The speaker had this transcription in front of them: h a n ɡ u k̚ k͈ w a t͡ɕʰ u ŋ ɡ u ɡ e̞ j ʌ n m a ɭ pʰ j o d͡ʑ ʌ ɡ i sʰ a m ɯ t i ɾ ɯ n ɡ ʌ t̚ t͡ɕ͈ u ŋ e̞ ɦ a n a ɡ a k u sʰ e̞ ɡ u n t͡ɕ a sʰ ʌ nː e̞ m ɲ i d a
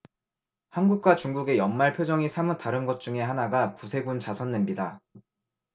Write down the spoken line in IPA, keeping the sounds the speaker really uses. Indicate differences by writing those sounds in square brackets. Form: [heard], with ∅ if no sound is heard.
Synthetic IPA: h a n ɡ u k̚ k͈ w a [t͡ɕ] u ŋ ɡ u ɡ e̞ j ʌ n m a ɭ pʰ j o d͡ʑ ʌ [ŋ] i sʰ a m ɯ t [a] ɾ ɯ n ɡ ʌ t̚ t͡ɕ͈ u ŋ e̞ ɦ a n a ɡ a k u sʰ e̞ ɡ u n t͡ɕ a sʰ ʌ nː e̞ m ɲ i d a